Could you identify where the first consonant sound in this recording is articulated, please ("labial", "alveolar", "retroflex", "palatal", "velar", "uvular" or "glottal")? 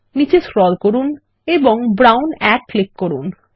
alveolar